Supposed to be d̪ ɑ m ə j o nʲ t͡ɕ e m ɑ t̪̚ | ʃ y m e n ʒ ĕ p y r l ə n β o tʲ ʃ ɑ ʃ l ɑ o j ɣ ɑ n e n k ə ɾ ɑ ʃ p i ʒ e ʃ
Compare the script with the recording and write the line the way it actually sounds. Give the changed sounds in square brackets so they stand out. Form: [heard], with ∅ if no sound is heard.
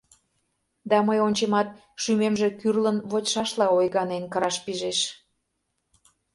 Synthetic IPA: d̪ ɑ m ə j o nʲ t͡ɕ e m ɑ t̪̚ | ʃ y m e [m] ʒ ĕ [k] y r l ə n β o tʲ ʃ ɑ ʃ l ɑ o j ɣ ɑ n e n k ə ɾ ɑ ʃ p i ʒ e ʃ